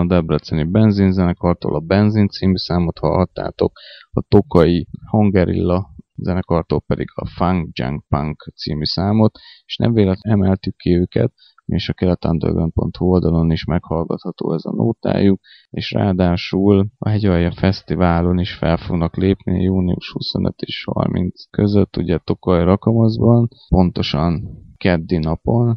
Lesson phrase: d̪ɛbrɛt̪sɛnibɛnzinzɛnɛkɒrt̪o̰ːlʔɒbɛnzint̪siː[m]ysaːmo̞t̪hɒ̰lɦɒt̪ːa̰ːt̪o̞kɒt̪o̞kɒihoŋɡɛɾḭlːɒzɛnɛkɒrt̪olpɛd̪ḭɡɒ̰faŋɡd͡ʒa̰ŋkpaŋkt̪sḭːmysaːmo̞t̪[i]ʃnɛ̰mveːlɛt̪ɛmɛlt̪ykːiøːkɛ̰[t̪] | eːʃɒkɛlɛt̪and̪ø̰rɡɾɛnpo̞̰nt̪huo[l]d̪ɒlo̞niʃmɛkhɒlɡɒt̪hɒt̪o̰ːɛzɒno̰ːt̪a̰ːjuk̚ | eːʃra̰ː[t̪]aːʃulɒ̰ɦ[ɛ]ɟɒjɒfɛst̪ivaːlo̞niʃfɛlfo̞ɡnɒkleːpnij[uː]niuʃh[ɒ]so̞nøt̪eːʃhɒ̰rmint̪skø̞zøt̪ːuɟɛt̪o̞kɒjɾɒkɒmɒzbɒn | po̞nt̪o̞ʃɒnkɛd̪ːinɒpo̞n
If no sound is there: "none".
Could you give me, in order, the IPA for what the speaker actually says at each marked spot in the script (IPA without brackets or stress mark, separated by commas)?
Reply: m, e, t̪, l, d̪, ɛ, uː, u